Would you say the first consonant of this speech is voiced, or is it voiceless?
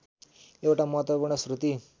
voiced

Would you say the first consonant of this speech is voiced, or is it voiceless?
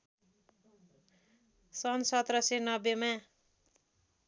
voiceless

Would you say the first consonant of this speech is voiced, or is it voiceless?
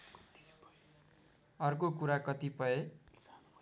voiced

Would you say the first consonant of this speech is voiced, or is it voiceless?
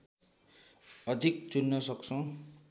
voiced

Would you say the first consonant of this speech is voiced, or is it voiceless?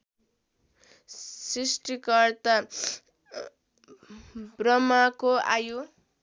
voiceless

